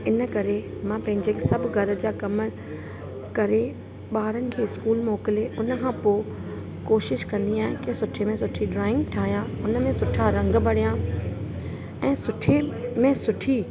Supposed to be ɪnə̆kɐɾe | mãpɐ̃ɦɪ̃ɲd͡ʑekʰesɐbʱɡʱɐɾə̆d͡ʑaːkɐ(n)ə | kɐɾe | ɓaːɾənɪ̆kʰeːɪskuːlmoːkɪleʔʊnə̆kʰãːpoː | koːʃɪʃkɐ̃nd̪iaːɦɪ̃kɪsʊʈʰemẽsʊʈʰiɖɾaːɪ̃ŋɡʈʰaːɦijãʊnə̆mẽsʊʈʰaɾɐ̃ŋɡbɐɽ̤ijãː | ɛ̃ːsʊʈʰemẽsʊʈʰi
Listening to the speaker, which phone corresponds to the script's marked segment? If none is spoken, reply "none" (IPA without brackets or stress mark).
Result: m